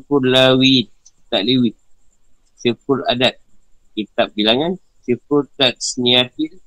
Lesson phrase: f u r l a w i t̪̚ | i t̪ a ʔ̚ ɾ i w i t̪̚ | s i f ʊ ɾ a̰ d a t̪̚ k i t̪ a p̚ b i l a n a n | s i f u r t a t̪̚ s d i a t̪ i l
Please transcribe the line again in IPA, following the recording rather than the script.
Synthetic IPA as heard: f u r l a w i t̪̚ | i t̪ a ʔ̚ l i w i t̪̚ | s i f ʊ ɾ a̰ d a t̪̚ k i t̪ a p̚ b i l a ŋ a n | s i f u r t a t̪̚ s n i a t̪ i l